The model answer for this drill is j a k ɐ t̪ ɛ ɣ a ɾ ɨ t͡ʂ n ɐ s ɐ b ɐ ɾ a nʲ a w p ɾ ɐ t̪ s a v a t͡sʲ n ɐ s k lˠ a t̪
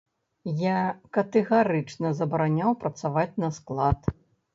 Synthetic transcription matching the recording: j a k ɐ t̪ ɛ ɣ a ɾ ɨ t͡ʂ n ɐ z ɐ b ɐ ɾ a nʲ a w p ɾ ɐ t̪ s a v a t͡sʲ n ɐ s k lˠ a t̪